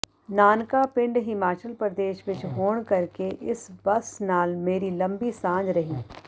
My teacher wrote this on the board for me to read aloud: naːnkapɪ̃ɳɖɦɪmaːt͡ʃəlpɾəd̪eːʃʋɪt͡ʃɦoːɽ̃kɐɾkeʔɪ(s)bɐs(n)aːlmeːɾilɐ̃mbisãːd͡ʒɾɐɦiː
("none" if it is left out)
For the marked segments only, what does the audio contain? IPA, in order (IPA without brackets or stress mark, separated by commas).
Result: s, n